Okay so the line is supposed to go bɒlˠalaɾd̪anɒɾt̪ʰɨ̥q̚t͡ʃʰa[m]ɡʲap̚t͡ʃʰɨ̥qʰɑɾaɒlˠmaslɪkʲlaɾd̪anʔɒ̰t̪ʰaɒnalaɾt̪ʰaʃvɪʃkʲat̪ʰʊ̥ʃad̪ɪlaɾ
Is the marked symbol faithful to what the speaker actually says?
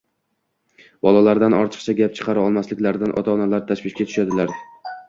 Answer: no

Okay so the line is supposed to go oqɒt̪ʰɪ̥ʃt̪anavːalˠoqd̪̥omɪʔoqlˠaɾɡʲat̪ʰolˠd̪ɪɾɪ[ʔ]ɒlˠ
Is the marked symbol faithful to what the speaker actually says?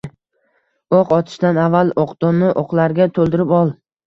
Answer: no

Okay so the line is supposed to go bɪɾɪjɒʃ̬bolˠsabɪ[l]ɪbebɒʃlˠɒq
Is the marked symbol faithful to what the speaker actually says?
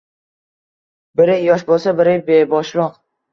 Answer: no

